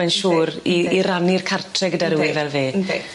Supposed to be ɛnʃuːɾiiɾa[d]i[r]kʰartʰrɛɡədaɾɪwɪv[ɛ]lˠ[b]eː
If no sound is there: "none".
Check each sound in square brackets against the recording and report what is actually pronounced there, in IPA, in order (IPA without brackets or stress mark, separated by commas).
n, r, ɛ, v